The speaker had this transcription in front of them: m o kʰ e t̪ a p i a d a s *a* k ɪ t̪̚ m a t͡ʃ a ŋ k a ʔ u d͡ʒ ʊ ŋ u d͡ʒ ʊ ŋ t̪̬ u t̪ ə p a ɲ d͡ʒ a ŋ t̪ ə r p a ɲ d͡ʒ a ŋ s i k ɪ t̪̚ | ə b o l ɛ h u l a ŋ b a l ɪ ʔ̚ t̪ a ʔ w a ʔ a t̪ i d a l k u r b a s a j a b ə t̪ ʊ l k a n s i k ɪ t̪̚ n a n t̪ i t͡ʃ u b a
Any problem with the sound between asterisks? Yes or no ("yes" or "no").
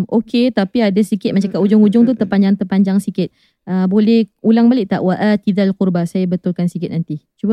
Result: yes